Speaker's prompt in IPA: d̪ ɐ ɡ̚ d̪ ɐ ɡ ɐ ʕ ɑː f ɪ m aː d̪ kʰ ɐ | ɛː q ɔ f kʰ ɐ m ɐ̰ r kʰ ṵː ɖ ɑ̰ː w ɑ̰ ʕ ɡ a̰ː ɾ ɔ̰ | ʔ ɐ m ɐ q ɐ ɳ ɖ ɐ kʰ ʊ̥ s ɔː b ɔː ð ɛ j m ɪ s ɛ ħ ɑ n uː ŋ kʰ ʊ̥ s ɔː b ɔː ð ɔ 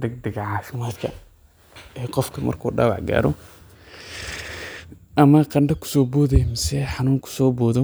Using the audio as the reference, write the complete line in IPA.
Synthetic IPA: d̪ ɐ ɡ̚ d̪ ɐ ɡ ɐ ʕ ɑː f ɪ m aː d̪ kʰ ɐ | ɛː q ɔ f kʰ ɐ m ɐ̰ r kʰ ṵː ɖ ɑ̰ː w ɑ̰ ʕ ɡ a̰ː ɾ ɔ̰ | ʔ ɐ m ɐ q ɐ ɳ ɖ ɐ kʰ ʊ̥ s ɔː b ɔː ð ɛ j m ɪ s ɛ ħ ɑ n uː ŋ kʰ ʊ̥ s ɔː b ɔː ð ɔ